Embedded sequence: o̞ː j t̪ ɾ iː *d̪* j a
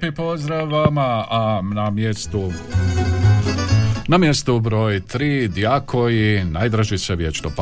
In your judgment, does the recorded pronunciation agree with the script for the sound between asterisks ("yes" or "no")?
yes